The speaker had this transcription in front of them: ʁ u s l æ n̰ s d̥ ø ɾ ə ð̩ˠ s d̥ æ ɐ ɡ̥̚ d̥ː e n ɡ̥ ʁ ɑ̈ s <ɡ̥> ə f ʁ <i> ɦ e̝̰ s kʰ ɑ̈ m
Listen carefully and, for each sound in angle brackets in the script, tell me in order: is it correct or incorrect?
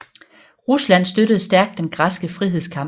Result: correct, correct

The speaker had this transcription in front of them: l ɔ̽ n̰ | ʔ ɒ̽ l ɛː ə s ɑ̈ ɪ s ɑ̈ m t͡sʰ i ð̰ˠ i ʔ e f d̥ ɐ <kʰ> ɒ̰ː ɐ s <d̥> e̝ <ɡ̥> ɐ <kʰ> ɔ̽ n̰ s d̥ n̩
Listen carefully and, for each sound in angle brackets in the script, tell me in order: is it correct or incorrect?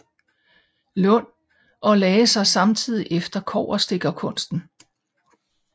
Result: correct, correct, correct, correct

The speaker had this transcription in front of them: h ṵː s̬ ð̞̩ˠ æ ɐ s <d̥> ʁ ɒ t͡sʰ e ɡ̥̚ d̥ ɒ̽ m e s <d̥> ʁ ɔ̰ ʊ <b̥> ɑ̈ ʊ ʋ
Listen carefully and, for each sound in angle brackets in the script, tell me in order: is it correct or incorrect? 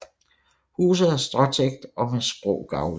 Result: correct, incorrect: b̥, incorrect: ɡ̥

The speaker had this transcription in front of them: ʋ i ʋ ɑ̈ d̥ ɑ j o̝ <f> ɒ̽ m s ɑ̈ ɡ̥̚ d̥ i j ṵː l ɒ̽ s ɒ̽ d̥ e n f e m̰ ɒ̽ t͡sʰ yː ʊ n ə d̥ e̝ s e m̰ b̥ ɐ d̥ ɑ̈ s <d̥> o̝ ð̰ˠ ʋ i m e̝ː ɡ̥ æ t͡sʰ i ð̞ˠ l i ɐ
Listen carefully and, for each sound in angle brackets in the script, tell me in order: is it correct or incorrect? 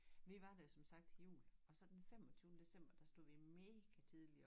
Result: incorrect: s, correct

